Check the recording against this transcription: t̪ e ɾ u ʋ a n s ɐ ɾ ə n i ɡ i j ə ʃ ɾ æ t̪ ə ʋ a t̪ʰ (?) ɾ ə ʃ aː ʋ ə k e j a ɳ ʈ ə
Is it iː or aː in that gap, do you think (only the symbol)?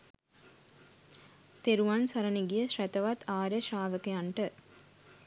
aː